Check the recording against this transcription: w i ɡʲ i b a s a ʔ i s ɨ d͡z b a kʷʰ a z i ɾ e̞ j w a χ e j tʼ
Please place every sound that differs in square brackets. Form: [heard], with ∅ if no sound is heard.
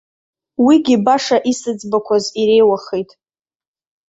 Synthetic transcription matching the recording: w i ɡʲ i b a [ʂ] a ʔ i s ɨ d͡z b a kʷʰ a z i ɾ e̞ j w a χ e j tʼ